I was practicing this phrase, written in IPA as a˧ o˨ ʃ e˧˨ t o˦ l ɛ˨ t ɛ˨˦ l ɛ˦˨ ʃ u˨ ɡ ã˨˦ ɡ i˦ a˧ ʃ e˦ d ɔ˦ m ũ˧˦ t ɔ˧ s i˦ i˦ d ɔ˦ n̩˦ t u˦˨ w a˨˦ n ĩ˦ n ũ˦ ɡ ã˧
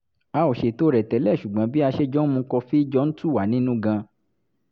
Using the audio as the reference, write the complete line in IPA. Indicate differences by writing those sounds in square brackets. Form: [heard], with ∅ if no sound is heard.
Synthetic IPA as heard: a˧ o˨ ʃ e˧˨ t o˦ [ɾ] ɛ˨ t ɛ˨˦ l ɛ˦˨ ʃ u˨ [ɡ͡b] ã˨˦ [b] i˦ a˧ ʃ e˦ [d͡ʒ] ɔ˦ m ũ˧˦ [k] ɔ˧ [f] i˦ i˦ [d͡ʒ] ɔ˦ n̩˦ t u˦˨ w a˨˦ n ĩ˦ n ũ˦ ɡ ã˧